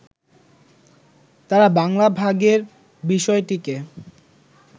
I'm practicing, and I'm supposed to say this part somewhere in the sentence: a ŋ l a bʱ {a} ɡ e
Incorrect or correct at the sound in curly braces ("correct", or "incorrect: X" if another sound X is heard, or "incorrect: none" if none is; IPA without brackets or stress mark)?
correct